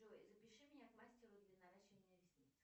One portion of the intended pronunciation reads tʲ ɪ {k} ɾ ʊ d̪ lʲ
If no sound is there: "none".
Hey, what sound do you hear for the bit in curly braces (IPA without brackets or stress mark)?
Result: none